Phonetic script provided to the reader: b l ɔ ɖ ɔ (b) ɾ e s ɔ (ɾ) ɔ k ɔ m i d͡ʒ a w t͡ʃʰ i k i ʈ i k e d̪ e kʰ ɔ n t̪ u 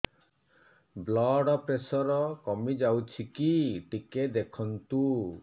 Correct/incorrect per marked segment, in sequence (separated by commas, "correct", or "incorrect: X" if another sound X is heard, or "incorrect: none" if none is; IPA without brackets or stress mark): incorrect: p, correct